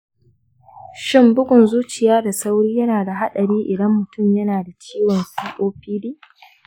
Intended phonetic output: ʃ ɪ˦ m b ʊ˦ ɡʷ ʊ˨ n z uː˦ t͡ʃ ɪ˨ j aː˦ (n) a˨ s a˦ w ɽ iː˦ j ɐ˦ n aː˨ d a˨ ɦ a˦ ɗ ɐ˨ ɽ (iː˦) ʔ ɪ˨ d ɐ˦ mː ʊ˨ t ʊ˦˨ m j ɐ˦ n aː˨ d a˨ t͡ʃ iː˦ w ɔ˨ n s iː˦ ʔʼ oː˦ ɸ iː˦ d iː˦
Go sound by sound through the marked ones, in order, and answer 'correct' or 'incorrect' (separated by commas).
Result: incorrect, correct